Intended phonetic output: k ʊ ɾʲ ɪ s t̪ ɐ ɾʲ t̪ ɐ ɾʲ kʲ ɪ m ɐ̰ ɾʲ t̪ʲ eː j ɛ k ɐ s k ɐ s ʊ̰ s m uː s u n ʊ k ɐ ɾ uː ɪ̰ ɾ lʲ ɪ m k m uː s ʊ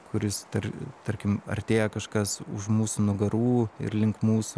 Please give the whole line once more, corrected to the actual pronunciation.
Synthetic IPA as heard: k ʊ ɾʲ ɪ s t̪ ɐ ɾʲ t̪ ɐ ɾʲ kʲ ɪ m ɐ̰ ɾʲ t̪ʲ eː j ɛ k ɐ ʃ k ɐ s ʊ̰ ʃ m uː s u n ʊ ɡ ɐ ɾ uː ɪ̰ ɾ lʲ ɪ ŋ k m uː s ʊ